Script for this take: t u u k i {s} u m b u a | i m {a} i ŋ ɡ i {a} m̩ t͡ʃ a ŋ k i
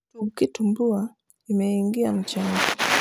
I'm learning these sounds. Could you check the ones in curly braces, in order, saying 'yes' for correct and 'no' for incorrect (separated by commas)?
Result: no, no, yes